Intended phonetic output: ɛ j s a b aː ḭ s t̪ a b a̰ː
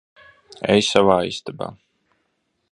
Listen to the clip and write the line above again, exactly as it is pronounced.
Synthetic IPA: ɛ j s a v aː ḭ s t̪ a b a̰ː

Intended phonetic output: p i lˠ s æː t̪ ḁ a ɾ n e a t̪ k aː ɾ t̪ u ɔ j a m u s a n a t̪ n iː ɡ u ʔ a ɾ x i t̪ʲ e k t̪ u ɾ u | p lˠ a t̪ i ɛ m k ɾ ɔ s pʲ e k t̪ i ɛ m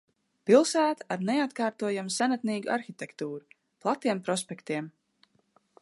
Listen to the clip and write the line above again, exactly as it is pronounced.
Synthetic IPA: p i lˠ s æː t̪ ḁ a ɾ n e a t̪ k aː ɾ t̪ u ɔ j a m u s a n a t̪ n iː ɡ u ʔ a ɾ x i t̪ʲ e k t̪ uː ɾ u | p lˠ a t̪ i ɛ m p ɾ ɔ s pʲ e k t̪ i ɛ m

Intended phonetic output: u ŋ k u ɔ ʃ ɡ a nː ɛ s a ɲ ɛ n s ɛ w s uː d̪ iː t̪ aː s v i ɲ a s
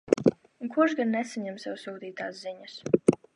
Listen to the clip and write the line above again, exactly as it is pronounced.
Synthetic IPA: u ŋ k u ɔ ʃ ɡ a nː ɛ s a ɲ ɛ m s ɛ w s uː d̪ iː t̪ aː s z i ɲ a s

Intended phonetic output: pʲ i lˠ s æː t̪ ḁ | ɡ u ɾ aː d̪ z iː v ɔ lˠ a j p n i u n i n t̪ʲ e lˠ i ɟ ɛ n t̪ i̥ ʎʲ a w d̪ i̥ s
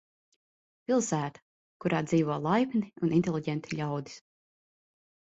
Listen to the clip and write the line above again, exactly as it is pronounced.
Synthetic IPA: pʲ i lˠ s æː t̪ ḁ | k u ɾ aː d̪ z iː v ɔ lˠ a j p n i u n i n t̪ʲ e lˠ i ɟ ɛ n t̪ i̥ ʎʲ a w d̪ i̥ s

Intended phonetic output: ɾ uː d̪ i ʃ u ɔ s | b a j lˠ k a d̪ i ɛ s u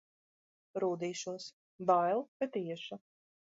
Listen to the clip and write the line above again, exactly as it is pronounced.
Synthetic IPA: ɾ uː d̪ iː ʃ u ɔ s | b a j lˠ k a t̪ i ɛ ʃ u

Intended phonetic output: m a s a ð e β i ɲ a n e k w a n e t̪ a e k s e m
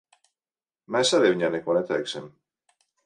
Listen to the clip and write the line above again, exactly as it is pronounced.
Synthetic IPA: m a s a ð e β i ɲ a n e k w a n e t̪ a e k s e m

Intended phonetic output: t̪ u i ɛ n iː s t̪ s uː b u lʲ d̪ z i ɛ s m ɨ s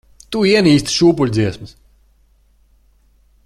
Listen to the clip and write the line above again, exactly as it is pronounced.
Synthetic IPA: t̪ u i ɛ n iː s t̪ ʃ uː p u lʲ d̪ z i ɛ s m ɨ s

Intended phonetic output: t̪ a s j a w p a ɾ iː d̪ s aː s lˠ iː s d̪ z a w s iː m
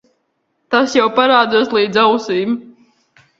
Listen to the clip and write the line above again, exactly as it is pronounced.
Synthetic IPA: t̪ a s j a w p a ɾ aː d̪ z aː s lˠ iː d̪ z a w s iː m

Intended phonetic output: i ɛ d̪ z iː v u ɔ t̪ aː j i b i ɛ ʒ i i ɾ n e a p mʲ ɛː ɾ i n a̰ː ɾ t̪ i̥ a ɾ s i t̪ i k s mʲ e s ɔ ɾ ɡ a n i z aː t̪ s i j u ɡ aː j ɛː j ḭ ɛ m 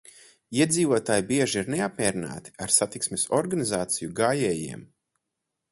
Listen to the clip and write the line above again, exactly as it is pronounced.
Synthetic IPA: i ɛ d̪ z iː v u ɔ t̪ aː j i b i ɛ ʒ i i ɾ n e a p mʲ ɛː ɾ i n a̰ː t̪ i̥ a ɾ s a t̪ i k s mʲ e s ɔ ɾ ɡ a n i z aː t̪ s i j u ɡ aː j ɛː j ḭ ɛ m

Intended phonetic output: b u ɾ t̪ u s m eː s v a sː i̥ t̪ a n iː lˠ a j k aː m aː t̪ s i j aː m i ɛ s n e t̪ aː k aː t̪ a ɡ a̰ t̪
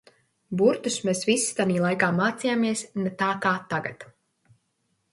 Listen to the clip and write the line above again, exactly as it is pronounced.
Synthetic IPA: b u ɾ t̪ u s m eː s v i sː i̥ t̪ a n iː lˠ a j k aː m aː t̪ s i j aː m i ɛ s n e t̪ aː k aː t̪ a ɡ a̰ t̪

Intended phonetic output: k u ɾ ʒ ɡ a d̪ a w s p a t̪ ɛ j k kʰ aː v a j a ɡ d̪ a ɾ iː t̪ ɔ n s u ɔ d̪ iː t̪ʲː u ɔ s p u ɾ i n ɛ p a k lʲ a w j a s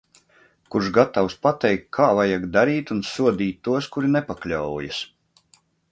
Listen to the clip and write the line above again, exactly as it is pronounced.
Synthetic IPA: k u ɾ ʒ ɡ a t̪ a w s p a t̪ ɛ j k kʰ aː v a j a ɡ d̪ a ɾ iː t̪ u n s u ɔ d̪ iː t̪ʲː u ɔ s k u ɾ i n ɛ p a k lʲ a w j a s

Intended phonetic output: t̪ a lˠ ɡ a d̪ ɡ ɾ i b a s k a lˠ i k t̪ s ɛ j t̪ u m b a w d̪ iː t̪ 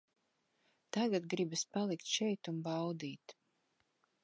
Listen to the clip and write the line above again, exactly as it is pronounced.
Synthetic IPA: t̪ a ɡ a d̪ ɡ ɾ i b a s p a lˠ i k t̪ ʃ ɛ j t̪ u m b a w d̪ iː t̪

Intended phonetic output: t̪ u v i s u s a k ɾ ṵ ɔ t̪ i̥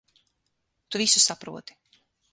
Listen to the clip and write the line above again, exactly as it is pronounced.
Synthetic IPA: t̪ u v i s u s a p ɾ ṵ ɔ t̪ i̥

